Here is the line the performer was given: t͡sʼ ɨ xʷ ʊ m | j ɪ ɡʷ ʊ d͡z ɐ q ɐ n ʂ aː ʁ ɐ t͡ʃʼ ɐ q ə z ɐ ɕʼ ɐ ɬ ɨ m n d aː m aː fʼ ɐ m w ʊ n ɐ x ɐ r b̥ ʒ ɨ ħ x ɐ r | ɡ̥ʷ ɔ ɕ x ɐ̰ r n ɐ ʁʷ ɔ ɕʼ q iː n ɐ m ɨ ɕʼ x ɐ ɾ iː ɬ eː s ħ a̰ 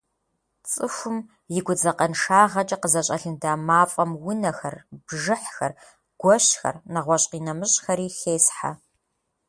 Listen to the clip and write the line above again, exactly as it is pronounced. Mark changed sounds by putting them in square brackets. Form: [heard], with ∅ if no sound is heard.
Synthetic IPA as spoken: t͡sʼ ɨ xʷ ʊ m | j ɪ ɡʷ ʊ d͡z ɐ q ɐ n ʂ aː ʁ ɐ t͡ʃʼ ɐ q ə z ɐ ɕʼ ɐ ɬ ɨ [∅] n d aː m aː fʼ ɐ m w ʊ n ɐ x ɐ r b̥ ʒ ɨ ħ x ɐ r | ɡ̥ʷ ɔ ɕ x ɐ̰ r n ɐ ʁʷ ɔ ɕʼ q iː n ɐ m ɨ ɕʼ x ɐ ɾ iː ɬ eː s ħ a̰